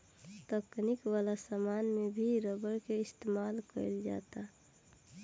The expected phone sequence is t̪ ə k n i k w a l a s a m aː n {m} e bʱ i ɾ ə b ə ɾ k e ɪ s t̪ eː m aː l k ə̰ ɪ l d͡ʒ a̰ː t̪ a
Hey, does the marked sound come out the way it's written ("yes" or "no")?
yes